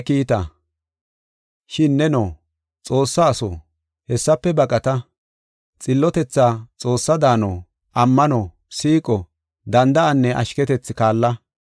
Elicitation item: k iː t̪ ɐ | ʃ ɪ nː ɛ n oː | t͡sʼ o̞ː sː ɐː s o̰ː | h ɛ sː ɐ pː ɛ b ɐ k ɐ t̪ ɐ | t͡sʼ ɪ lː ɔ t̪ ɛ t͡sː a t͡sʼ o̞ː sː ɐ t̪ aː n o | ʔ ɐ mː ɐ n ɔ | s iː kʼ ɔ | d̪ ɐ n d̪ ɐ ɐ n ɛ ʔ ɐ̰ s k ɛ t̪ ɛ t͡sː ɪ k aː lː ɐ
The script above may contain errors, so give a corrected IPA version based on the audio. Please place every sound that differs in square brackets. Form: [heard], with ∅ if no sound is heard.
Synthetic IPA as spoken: k iː t̪ ɐ | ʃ ɪ nː ɛ n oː | t͡sʼ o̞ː sː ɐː s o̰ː | h ɛ sː ɐ pː ɛ b ɐ [kʼ] ɐ t̪ ɐ | t͡sʼ ɪ lː ɔ t̪ ɛ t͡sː a t͡sʼ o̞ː sː ɐ [d̪] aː n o | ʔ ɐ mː ɐ n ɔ | s iː kʼ ɔ | d̪ ɐ n d̪ ɐ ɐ [nː] ɛ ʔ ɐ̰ [ʃ] k ɛ t̪ ɛ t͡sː ɪ k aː lː ɐ

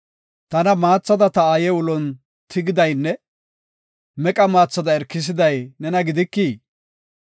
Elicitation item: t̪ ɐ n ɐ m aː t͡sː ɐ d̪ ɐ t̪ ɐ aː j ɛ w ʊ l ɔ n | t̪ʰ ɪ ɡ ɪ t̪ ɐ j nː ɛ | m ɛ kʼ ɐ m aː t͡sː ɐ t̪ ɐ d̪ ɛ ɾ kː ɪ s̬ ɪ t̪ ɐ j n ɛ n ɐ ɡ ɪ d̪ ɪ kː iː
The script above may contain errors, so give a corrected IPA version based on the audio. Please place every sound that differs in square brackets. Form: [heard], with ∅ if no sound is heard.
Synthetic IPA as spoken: t̪ ɐ n ɐ m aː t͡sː ɐ d̪ ɐ t̪ ɐ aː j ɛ w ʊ l ɔ n | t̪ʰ ɪ ɡ ɪ [d̪] ɐ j nː ɛ | m ɛ kʼ ɐ m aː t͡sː ɐ [d̪] ɐ [∅] ɛ ɾ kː ɪ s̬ ɪ [d̪] ɐ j n ɛ n ɐ ɡ ɪ d̪ ɪ kː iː

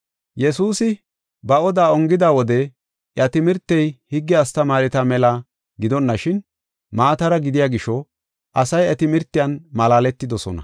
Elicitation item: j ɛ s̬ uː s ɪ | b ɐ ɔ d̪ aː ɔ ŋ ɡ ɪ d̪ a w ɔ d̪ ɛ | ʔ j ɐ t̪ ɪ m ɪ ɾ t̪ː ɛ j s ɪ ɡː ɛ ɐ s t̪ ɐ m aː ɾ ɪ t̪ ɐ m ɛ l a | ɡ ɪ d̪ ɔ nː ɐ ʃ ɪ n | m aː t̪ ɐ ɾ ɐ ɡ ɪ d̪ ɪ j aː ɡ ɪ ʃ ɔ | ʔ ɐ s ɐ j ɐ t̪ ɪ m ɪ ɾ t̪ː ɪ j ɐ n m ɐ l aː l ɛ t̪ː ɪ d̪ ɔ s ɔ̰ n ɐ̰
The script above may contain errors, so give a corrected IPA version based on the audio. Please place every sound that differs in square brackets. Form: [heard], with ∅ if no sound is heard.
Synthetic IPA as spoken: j ɛ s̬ uː s ɪ | b ɐ ɔ d̪ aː ɔ ŋ ɡ ɪ d̪ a w ɔ d̪ ɛ | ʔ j ɐ t̪ ɪ m ɪ ɾ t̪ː ɛ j [h] ɪ ɡː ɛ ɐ s t̪ ɐ m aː ɾ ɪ t̪ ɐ m ɛ l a | ɡ ɪ d̪ ɔ nː ɐ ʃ ɪ n | m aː t̪ ɐ ɾ ɐ ɡ ɪ d̪ ɪ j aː ɡ ɪ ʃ ɔ | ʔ ɐ s ɐ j ɐ t̪ ɪ m ɪ ɾ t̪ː ɪ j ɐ n m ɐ l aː l ɛ t̪ː ɪ d̪ ɔ s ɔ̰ n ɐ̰

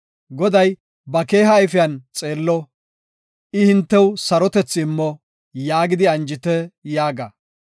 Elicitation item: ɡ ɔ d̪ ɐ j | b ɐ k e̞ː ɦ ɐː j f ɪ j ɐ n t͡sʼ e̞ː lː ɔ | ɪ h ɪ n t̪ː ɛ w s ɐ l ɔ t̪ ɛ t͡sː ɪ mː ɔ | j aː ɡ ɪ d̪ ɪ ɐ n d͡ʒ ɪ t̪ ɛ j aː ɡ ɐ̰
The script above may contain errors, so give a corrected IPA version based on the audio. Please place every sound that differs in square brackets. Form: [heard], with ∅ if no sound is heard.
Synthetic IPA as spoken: ɡ ɔ d̪ ɐ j | b ɐ k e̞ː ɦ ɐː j f ɪ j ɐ n t͡sʼ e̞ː lː ɔ | ɪ h ɪ n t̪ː ɛ w s ɐ [ɾ] ɔ t̪ ɛ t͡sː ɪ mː ɔ | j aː ɡ ɪ d̪ ɪ ɐ n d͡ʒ ɪ t̪ ɛ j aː ɡ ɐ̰

